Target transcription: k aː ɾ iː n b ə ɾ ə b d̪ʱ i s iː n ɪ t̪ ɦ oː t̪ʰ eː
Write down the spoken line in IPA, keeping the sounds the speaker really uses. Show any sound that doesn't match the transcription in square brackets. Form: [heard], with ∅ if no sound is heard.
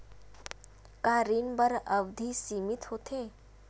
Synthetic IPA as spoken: k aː ɾ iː n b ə ɾ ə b d̪ʱ i s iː [m] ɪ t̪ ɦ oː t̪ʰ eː